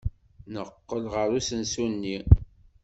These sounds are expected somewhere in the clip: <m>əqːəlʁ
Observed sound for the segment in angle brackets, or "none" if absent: n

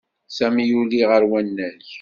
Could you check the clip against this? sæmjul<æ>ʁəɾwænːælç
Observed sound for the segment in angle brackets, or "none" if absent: i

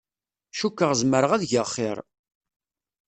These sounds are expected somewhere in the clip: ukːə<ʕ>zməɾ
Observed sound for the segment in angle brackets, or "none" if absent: ʁ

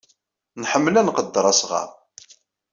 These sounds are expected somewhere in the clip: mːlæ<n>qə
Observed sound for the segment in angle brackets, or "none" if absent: n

